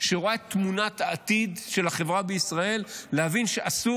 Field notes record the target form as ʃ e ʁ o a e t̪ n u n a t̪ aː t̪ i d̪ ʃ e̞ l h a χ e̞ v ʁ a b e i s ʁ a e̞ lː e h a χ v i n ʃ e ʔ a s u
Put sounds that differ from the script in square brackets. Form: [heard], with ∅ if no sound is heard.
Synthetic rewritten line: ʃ e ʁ o a e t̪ [m] u n a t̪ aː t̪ i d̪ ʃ e̞ l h a χ e̞ v ʁ a b e i s ʁ a e̞ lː e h a [∅] v i n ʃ e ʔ a s u